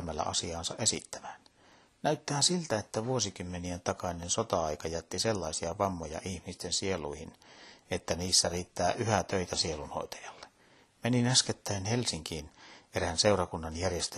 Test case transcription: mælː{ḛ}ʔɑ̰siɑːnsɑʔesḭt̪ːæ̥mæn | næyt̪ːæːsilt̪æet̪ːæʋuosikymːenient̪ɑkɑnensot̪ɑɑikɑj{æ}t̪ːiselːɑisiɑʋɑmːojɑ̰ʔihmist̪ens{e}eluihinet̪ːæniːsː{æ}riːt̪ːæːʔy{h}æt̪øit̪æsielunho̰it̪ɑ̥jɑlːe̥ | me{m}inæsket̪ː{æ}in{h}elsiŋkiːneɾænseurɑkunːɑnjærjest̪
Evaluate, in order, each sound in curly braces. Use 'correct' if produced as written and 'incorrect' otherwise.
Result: incorrect, correct, incorrect, correct, correct, incorrect, correct, correct

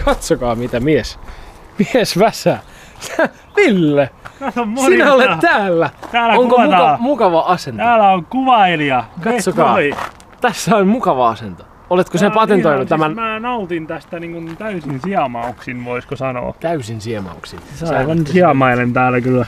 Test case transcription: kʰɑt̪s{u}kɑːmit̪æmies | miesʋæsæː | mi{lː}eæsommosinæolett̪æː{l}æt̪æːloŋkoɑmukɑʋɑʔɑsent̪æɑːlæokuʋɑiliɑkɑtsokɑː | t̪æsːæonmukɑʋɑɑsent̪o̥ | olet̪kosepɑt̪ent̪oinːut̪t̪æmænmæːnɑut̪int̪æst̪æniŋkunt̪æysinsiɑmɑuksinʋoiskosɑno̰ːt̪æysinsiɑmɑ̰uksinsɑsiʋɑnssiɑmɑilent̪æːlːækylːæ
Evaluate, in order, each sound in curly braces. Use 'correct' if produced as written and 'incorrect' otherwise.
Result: incorrect, correct, incorrect

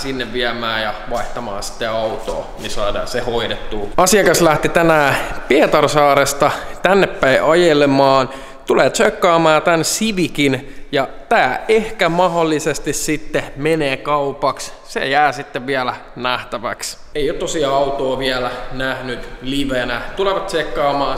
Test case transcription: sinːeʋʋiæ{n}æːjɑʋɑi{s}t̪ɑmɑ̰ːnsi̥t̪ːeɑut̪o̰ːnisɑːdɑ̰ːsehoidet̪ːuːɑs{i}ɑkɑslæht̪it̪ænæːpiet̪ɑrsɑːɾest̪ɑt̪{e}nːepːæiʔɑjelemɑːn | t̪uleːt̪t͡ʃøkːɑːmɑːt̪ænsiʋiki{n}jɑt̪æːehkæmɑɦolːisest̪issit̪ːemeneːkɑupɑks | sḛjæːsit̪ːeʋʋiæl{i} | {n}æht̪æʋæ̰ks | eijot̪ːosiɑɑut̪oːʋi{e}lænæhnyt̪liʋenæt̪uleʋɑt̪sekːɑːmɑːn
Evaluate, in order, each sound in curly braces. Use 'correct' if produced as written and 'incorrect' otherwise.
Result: incorrect, incorrect, correct, incorrect, correct, incorrect, correct, incorrect

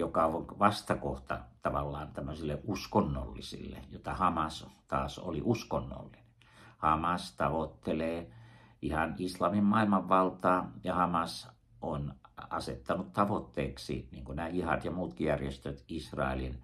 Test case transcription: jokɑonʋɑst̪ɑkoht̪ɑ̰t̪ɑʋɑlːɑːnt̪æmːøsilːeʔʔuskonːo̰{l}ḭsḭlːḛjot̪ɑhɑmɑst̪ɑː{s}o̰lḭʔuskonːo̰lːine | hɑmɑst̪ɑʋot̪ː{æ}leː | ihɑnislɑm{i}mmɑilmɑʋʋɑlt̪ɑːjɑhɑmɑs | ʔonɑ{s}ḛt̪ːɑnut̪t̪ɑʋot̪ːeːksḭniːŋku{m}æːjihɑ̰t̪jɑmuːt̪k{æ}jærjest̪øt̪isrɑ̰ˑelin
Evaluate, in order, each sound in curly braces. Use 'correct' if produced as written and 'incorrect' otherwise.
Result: incorrect, correct, incorrect, correct, correct, incorrect, incorrect

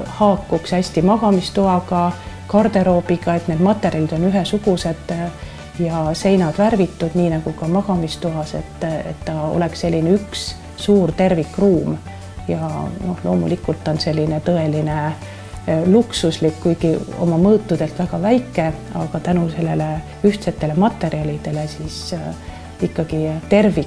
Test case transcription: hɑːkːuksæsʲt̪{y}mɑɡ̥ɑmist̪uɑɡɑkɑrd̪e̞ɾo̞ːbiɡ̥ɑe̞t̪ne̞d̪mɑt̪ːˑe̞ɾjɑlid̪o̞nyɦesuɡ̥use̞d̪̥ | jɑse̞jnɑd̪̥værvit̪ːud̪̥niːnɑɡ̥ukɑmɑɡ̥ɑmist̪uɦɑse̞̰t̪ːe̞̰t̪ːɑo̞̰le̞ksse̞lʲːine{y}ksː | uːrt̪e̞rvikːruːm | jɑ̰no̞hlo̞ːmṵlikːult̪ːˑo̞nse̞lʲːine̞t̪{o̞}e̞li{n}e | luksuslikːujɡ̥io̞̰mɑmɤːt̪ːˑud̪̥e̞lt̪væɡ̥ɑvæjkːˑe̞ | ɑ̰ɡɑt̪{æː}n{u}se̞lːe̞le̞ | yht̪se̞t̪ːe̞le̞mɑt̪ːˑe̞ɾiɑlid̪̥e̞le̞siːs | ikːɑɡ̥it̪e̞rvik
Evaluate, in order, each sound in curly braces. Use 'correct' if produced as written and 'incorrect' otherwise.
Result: incorrect, correct, incorrect, correct, incorrect, correct

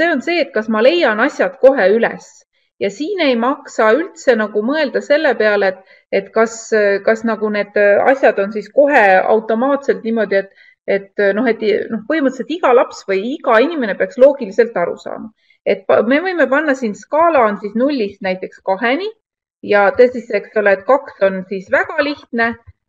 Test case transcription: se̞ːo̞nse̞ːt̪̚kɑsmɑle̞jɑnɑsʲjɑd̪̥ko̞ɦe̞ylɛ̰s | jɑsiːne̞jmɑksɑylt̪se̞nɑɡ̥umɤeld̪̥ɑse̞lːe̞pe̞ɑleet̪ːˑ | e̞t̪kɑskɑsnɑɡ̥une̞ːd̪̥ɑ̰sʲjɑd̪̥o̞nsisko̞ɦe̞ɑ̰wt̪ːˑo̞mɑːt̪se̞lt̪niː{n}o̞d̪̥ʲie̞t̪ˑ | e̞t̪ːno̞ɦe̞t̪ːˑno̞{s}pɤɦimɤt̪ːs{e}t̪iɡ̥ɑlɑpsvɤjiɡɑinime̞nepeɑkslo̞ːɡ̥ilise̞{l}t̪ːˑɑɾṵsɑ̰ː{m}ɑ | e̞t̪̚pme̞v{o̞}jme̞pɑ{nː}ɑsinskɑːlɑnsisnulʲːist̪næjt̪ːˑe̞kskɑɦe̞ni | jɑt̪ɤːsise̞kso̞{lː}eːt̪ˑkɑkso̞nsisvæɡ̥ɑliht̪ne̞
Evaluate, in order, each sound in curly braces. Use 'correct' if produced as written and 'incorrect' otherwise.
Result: incorrect, incorrect, correct, correct, correct, incorrect, correct, incorrect

